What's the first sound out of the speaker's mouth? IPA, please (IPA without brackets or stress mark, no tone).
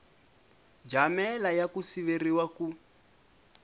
d͡ʒ